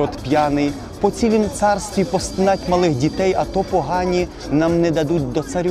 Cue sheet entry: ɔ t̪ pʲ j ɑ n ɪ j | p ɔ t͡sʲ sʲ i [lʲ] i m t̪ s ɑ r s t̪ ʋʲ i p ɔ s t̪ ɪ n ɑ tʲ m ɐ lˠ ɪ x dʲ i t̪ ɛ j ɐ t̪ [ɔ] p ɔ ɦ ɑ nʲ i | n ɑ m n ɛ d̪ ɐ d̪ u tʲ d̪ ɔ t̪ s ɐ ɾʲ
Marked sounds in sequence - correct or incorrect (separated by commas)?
correct, correct